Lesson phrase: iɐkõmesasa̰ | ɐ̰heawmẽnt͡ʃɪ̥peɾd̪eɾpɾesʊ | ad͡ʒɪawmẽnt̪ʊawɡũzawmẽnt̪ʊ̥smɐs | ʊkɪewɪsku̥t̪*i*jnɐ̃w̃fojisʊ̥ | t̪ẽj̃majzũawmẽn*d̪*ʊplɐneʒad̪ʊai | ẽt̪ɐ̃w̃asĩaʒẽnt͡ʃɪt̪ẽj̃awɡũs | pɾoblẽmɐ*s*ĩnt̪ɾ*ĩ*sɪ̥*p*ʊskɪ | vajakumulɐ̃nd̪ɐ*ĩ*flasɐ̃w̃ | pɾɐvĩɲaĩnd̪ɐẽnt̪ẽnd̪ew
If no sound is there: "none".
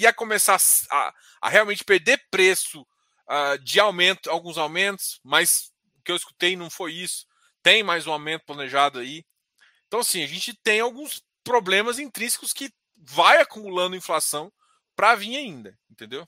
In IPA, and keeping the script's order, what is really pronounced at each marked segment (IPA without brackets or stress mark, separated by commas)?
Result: e, t̪, z, ĩ, k, ĩ